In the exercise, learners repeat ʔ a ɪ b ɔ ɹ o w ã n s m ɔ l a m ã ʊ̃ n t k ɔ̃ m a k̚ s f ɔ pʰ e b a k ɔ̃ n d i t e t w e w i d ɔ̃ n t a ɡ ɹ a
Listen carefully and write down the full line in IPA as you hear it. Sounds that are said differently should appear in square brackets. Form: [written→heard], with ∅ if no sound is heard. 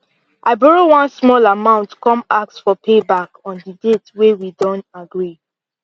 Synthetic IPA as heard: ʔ a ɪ b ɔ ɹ o w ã n s m ɔ l a m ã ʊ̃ n t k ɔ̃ m a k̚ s f ɔ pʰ e b a k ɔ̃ n d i [t→d] e t w e w i d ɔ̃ n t a ɡ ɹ [a→i]

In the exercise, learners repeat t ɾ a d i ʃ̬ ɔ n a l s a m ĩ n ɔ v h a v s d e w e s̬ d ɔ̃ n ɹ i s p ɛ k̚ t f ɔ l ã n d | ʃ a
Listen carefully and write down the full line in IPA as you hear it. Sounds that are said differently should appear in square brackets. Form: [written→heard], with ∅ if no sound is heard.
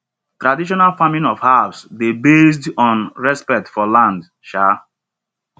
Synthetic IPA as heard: t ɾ a d i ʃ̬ ɔ n a l [s→f] a m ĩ n ɔ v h a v s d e [w→b] e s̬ d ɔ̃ n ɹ [i→ɛ] s p ɛ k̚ t f ɔ l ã n d | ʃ a

